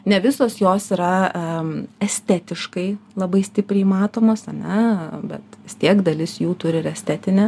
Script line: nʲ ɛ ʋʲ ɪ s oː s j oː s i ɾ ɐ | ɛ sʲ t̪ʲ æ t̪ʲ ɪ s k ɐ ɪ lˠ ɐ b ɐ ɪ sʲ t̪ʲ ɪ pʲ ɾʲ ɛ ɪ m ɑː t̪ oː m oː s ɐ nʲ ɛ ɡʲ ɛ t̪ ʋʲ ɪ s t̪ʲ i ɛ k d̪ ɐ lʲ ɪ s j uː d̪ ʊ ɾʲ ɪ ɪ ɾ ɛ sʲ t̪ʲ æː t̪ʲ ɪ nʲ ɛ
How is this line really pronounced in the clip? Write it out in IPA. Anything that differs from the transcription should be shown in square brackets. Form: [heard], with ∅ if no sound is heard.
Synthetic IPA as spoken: nʲ ɛ ʋʲ ɪ s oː s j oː s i ɾ ɐ | ɛ sʲ t̪ʲ æ t̪ʲ ɪ [ʃ] k ɐ ɪ lˠ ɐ b ɐ ɪ sʲ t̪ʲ ɪ pʲ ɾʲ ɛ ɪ m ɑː t̪ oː m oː s ɐ nʲ ɛ [bʲ] ɛ t̪ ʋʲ ɪ s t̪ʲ i ɛ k d̪ ɐ lʲ ɪ s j uː [t̪] ʊ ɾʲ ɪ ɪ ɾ ɛ sʲ t̪ʲ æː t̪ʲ ɪ nʲ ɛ